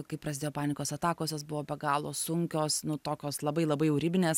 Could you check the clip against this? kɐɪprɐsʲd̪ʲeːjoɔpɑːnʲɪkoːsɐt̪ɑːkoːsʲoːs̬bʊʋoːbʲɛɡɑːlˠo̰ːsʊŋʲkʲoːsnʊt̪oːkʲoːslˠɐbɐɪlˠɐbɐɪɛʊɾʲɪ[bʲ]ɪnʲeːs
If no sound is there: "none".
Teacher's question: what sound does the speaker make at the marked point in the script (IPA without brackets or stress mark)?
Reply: bʲ